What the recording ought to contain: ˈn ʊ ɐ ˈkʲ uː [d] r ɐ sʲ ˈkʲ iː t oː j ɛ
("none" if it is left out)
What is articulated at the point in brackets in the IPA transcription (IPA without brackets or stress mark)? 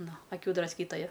d